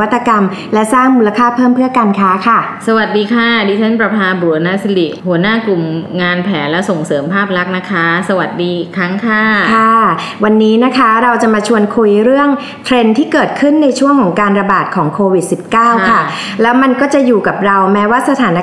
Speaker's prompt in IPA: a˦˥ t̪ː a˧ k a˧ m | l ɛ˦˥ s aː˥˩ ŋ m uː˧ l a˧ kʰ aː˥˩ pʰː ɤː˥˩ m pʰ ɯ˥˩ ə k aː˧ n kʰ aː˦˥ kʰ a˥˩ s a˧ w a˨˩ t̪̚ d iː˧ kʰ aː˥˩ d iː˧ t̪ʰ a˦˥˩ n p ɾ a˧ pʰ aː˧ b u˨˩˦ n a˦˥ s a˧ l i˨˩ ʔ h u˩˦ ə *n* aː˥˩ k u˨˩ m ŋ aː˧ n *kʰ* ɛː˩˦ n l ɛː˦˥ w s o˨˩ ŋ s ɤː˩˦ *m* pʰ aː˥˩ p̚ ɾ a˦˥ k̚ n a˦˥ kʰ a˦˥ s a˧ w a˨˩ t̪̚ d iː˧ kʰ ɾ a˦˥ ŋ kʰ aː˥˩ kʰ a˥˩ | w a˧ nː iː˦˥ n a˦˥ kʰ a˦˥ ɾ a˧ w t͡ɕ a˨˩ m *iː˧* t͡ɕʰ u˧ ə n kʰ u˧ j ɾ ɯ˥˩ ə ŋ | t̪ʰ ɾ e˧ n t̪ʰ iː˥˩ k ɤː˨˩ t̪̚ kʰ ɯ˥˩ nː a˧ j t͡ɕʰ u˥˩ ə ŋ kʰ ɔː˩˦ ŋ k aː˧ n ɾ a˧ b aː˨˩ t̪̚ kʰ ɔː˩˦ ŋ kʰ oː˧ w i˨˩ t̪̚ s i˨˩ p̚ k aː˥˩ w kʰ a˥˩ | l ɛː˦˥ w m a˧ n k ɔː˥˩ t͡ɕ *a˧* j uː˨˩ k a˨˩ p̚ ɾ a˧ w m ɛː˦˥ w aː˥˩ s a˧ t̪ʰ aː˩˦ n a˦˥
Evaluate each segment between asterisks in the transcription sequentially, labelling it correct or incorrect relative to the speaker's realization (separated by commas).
correct, incorrect, correct, incorrect, incorrect